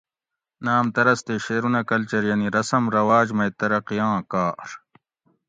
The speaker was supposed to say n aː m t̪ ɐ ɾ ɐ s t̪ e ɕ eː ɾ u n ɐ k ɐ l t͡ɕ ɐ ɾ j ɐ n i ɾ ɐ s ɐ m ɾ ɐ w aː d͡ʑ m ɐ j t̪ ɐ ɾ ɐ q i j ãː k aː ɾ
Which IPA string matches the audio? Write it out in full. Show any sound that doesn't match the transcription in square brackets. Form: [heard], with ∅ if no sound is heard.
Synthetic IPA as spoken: n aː m t̪ ɐ ɾ ɐ s t̪ e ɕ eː ɾ u n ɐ k ɐ l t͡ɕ ɐ ɾ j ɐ n i ɾ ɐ s ɐ m ɾ ɐ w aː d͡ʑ m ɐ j t̪ ɐ ɾ ɐ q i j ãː k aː ɾ